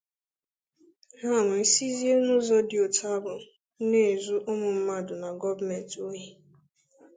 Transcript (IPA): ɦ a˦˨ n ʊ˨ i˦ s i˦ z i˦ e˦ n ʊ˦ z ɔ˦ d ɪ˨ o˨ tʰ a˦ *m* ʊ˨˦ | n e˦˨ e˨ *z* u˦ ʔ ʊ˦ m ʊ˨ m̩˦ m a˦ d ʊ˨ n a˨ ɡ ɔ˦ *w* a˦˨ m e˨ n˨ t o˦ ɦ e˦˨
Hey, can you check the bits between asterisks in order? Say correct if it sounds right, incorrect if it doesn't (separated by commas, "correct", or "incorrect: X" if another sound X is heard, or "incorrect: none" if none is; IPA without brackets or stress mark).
incorrect: b, correct, incorrect: v